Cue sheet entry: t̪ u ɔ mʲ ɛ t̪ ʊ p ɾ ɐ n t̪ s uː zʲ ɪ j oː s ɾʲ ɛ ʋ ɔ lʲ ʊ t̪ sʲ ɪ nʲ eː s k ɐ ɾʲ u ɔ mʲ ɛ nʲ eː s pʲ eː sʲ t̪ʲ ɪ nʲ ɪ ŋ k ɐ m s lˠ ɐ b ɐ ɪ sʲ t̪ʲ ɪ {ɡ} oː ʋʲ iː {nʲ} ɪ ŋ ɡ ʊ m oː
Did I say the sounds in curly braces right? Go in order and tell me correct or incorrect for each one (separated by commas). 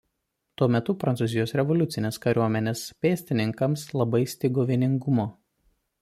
correct, correct